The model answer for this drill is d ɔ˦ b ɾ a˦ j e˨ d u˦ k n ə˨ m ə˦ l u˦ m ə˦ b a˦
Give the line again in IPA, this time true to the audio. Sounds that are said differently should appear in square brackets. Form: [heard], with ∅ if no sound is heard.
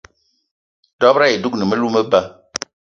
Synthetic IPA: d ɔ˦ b ɾ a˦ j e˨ d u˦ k n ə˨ m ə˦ l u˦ m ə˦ b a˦